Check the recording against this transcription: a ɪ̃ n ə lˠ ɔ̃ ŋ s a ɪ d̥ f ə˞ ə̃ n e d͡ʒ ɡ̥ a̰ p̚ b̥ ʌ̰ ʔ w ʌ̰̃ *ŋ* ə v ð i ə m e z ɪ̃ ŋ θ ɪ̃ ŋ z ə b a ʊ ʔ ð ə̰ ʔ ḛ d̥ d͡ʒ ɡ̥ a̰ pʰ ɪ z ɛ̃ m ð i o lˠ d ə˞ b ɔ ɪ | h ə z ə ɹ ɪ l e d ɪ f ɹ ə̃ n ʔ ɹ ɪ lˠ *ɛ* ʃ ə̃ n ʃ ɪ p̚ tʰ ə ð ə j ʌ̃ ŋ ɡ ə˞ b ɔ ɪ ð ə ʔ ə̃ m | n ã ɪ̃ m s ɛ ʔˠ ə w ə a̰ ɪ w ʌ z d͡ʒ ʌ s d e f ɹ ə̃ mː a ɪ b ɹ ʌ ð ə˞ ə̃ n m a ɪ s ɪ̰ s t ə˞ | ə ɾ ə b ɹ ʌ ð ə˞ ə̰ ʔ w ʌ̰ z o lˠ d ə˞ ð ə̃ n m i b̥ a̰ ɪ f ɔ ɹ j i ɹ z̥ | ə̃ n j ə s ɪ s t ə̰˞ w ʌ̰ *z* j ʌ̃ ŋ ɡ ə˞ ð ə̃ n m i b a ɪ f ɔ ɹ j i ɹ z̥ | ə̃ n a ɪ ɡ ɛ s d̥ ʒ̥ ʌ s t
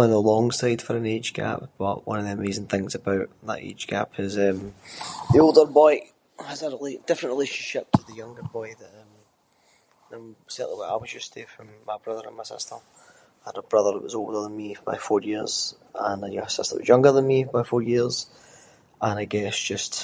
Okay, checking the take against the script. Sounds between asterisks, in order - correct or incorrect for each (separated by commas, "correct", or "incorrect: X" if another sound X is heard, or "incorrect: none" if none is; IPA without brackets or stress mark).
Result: incorrect: n, incorrect: e, correct